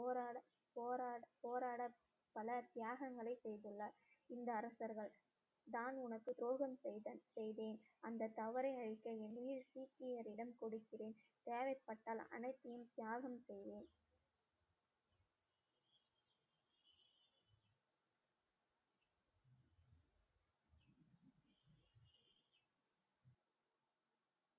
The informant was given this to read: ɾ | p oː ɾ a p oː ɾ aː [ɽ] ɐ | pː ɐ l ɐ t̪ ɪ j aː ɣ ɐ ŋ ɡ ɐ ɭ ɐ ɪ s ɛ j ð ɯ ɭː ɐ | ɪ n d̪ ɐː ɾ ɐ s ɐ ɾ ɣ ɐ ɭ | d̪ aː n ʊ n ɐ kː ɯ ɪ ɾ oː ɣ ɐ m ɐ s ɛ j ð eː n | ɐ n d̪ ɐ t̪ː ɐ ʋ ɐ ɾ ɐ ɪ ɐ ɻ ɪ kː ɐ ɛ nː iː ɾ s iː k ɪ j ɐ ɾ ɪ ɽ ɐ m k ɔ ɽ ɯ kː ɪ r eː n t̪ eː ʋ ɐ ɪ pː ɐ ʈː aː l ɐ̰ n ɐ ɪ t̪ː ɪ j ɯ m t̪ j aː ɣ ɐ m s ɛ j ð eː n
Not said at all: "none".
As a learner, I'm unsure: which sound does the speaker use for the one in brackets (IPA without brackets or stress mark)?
ɽ